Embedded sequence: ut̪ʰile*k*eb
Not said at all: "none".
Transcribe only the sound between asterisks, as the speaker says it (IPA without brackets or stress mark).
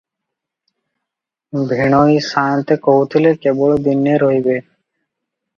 k